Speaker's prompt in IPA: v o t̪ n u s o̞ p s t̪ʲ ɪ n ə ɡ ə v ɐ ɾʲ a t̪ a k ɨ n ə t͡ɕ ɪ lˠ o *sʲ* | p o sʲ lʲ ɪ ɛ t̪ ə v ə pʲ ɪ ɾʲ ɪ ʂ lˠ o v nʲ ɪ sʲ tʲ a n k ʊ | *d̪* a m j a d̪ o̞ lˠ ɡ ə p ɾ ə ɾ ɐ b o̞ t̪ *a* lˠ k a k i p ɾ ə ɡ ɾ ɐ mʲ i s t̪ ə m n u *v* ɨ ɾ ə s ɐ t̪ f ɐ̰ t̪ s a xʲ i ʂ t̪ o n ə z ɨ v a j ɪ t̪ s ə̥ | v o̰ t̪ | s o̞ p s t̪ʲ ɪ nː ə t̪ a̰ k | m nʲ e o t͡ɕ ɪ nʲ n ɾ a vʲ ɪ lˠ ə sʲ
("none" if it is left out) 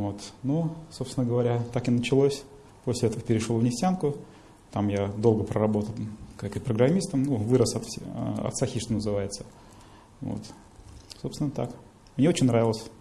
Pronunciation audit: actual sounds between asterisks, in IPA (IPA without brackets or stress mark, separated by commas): sʲ, t̪, ə, v